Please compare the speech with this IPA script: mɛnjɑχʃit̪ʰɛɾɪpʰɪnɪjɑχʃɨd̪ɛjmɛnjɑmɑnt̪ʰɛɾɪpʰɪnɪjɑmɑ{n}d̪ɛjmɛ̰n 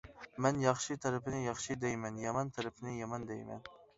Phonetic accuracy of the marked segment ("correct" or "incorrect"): correct